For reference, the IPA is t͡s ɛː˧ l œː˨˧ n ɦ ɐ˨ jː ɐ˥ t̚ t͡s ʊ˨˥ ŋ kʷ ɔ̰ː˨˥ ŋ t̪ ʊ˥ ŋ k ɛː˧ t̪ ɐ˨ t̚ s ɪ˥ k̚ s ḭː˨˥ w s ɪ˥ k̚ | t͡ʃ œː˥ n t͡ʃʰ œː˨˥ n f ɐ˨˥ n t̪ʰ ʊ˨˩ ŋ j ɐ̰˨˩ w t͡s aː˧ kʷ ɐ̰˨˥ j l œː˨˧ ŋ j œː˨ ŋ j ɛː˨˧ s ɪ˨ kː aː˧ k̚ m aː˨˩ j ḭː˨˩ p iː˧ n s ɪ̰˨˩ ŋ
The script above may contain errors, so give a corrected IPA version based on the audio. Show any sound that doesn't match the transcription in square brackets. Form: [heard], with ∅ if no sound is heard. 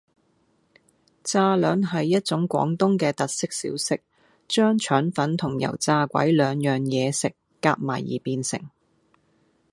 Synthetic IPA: t͡s [aː˧] l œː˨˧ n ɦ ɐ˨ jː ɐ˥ t̚ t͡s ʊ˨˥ ŋ kʷ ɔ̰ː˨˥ ŋ t̪ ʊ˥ ŋ k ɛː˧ t̪ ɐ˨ t̚ s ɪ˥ k̚ s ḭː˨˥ w s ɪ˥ k̚ | t͡ʃ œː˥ [ŋ] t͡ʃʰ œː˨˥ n f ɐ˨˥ n t̪ʰ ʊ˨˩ ŋ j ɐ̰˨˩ w t͡s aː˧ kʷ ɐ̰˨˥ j l œː˨˧ ŋ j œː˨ ŋ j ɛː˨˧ s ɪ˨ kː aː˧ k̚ m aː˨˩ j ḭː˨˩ p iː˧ n s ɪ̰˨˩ ŋ